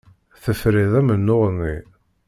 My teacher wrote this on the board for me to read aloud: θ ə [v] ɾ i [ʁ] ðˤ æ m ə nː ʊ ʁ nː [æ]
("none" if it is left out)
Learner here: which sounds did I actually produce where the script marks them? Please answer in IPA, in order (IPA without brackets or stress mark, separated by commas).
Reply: f, none, i